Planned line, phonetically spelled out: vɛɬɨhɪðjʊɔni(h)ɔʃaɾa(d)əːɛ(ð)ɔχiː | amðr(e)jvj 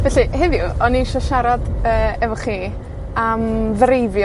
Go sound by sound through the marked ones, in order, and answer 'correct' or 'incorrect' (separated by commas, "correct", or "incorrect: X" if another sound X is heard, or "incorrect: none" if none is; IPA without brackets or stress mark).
incorrect: ʃ, correct, incorrect: v, correct